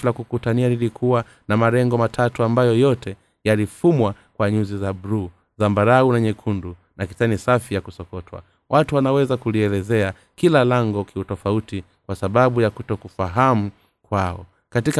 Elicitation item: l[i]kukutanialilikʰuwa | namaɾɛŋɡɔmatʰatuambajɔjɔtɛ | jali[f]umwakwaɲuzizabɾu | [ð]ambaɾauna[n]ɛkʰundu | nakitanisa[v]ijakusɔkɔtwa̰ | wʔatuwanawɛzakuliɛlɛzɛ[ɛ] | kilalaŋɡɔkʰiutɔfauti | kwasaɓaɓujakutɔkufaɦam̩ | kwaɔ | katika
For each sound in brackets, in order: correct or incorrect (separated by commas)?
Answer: incorrect, correct, incorrect, incorrect, incorrect, incorrect